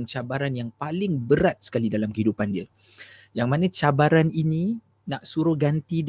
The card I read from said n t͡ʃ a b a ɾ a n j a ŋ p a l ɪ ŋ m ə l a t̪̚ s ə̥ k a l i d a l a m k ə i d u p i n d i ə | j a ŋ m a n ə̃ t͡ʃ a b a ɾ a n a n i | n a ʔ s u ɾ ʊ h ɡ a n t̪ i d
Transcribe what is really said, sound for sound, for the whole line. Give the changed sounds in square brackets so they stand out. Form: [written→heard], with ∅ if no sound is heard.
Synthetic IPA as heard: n t͡ʃ a b a ɾ a n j a ŋ p a l ɪ ŋ [m→b] ə [l→ɾ] a t̪̚ s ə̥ k a l i d a l a m k ə i d u p [i→a] n d i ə | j a ŋ m a n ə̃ t͡ʃ a b a ɾ a n [a→i] n i | n a ʔ s u ɾ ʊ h ɡ a n t̪ i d